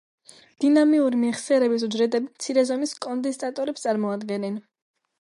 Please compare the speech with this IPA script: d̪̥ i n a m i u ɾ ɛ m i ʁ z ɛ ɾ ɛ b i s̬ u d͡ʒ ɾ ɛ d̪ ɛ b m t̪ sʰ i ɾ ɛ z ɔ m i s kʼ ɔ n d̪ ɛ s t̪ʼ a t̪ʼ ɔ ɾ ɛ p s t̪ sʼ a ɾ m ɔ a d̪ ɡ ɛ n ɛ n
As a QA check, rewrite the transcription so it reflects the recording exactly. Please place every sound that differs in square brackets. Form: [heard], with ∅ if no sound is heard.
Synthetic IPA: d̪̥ i n a m i u ɾ [i] m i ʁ [s] ɛ ɾ ɛ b i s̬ u d͡ʒ ɾ ɛ d̪ ɛ b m t̪ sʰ i ɾ ɛ z ɔ m i s kʼ ɔ n d̪ ɛ s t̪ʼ a t̪ʼ ɔ ɾ ɛ p s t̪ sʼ a ɾ m ɔ a d̪ ɡ ɛ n ɛ n